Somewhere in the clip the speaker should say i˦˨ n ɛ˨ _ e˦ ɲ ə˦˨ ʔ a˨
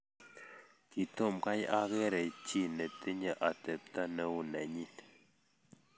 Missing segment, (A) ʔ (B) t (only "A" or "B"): B